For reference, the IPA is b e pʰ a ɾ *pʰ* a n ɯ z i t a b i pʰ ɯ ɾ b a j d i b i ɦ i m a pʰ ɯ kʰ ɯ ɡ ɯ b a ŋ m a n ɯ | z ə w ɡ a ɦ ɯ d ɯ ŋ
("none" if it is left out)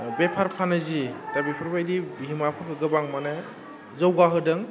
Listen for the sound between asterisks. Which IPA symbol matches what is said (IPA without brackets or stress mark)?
pʰ